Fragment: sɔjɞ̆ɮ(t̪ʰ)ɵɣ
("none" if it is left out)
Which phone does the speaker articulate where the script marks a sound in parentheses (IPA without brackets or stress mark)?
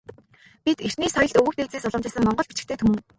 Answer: t̪